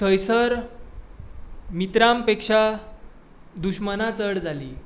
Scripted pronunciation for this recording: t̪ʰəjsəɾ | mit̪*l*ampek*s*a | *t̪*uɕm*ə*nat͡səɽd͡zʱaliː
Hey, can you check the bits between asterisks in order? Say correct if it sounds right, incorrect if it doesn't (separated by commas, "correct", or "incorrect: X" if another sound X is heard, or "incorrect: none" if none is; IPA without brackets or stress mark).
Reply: incorrect: ɾ, incorrect: ʂ, incorrect: d̪, correct